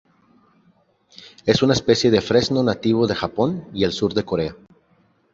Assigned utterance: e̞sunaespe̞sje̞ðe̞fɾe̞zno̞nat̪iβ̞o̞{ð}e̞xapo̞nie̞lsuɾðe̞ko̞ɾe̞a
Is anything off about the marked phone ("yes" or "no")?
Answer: no